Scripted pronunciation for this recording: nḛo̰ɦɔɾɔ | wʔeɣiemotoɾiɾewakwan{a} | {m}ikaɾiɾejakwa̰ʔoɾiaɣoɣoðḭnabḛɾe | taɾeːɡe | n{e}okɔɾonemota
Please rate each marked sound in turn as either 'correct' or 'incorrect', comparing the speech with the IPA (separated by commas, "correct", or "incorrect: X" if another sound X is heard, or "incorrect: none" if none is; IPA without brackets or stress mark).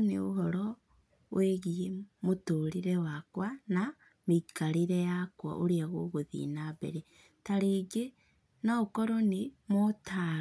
correct, correct, incorrect: a